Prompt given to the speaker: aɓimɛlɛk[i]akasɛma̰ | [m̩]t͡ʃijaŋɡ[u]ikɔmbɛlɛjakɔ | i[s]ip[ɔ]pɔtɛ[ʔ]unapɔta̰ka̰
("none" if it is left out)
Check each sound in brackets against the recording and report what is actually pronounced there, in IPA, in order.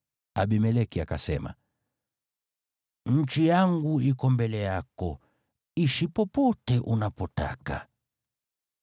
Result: i, ɲ̩, u, ʃ, ɔ, ʔ

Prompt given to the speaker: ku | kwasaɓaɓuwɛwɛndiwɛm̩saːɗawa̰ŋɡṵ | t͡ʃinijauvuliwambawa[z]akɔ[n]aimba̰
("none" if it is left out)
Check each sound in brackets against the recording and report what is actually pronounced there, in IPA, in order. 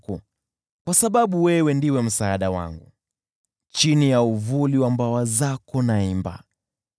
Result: z, n

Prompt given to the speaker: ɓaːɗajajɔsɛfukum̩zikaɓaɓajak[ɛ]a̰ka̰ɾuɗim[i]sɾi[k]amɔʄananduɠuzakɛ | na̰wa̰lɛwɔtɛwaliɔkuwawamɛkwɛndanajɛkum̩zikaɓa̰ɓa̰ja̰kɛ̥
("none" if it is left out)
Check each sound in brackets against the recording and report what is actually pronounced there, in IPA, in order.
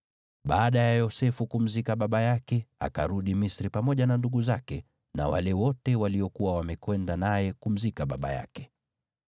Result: ɛ, i, p

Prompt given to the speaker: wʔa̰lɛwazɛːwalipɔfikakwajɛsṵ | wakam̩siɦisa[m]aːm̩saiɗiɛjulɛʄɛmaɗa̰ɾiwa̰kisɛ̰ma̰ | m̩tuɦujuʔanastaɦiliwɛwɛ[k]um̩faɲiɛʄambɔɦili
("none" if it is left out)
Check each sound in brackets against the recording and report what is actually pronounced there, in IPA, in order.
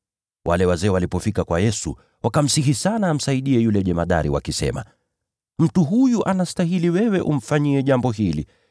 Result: n, ʔ

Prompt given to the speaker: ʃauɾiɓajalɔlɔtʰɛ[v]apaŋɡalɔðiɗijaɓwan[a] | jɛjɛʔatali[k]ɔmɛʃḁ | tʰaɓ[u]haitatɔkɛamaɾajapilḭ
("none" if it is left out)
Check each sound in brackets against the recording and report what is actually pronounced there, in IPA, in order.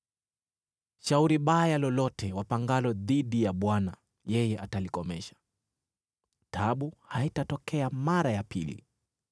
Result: w, a, k, u

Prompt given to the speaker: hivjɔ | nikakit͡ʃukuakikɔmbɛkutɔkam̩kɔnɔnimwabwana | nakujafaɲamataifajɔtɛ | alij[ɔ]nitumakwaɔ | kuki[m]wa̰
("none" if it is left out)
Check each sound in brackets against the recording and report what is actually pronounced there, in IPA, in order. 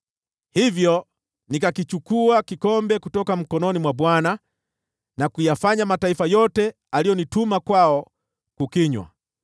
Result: ɔ, ɲ

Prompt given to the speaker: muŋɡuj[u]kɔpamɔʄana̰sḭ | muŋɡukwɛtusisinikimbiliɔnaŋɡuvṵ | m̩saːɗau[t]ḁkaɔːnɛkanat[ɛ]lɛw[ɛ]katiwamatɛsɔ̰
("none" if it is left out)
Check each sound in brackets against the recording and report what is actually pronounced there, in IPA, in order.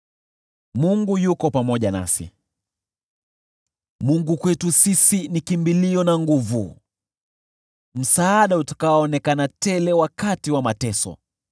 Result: u, t, ɛ, a

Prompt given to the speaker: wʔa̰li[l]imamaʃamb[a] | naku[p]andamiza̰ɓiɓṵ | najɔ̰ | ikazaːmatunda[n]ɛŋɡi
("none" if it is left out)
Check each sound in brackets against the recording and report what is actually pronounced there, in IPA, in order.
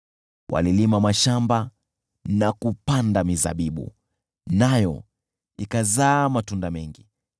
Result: l, a, p, m

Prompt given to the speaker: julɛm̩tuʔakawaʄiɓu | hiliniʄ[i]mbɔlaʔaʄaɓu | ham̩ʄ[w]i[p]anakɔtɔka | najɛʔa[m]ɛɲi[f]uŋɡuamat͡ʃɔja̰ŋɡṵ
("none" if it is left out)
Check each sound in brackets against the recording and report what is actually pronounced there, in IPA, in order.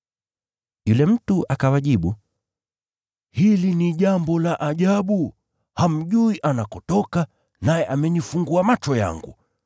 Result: a, u, ʔ, m, f

